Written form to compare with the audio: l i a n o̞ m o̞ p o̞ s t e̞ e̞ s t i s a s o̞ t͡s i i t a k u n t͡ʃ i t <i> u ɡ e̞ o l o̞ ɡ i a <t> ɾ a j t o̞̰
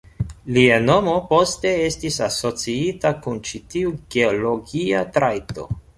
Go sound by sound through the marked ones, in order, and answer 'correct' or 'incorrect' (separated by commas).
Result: correct, correct